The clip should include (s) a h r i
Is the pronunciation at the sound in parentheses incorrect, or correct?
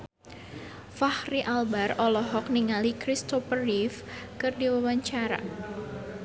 incorrect